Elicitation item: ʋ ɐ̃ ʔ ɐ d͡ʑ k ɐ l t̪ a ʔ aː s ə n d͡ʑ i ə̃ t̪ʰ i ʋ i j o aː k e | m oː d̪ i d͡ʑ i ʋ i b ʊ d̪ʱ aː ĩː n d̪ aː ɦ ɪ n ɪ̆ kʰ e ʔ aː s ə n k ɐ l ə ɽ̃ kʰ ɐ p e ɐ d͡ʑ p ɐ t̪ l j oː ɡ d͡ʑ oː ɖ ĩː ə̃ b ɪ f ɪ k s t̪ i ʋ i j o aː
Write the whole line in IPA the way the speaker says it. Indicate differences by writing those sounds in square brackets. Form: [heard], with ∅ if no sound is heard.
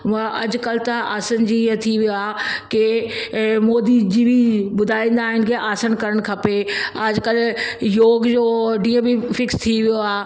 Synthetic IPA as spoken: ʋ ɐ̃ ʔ ɐ d͡ʑ k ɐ l t̪ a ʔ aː s ə n d͡ʑ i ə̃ t̪ʰ i ʋ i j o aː k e | m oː d̪ i d͡ʑ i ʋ i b ʊ d̪ʱ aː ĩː n d̪ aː ɦ ɪ n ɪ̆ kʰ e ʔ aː s ə n k ɐ [ɾ] ə ɽ̃ kʰ ɐ p e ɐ d͡ʑ [k] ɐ [∅] l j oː ɡ d͡ʑ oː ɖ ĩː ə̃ b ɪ f ɪ k s [t̪ʰ] i ʋ i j o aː